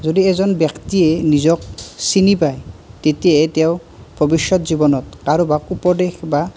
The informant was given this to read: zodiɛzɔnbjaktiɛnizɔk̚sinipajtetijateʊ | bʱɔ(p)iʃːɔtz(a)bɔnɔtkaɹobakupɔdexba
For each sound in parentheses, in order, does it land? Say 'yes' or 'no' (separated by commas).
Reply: no, no